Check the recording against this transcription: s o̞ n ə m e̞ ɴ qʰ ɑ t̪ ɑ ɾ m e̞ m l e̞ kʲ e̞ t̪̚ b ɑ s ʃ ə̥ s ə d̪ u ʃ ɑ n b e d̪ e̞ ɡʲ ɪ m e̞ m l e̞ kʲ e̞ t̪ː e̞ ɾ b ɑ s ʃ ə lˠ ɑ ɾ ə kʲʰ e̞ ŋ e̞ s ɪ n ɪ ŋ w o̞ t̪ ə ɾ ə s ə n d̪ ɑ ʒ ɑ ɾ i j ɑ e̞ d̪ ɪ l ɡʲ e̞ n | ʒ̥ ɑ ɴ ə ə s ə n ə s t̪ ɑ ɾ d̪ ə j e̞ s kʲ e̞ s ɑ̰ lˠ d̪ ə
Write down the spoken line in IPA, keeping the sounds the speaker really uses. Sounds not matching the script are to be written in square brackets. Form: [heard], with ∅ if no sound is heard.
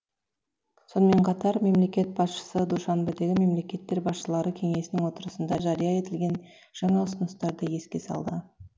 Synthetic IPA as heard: s o̞ n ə m e̞ ɴ qʰ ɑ t̪ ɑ ɾ m e̞ m l e̞ kʲ e̞ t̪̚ b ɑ s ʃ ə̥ s ə d̪ u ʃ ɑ n b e d̪ e̞ ɡʲ ɪ m e̞ m l e̞ kʲ e̞ t̪ː e̞ ɾ b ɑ s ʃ ə lˠ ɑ ɾ ə kʲʰ e̞ ŋ e̞ s ɪ n ɪ ŋ w o̞ t̪ ə ɾ ə s ə n d̪ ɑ ʒ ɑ ɾ i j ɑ e̞ [t̪] ɪ l ɡʲ e̞ n | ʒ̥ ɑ ɴ [ɑ] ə s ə n ə s t̪ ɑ ɾ d̪ ə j e̞ s kʲ e̞ s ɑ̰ lˠ d̪ ə